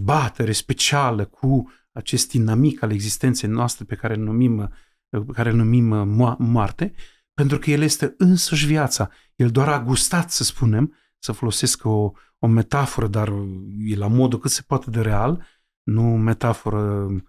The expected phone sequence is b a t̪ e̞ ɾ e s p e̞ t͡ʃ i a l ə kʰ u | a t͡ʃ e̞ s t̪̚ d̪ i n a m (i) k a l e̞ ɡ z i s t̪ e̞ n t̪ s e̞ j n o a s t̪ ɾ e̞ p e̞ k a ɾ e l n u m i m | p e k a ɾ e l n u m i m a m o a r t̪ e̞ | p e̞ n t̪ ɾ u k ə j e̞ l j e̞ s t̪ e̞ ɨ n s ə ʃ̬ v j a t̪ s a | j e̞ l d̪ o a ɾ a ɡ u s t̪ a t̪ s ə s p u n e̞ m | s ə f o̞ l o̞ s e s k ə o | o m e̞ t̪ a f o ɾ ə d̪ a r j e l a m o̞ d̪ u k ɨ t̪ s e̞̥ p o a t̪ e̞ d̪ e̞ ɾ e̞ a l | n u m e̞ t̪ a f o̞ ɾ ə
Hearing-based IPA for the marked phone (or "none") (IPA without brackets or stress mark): i